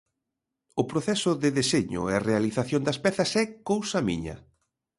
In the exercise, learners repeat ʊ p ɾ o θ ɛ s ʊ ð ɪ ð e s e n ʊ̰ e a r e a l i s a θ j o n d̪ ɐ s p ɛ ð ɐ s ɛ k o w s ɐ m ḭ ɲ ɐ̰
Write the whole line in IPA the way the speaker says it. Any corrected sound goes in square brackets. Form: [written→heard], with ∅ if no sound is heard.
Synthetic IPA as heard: ʊ p ɾ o θ ɛ s ʊ ð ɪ ð e s e [n→ɲ] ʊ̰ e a r e a l i [s→θ] a θ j o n d̪ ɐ s p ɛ [ð→θ] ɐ s ɛ k o w s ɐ m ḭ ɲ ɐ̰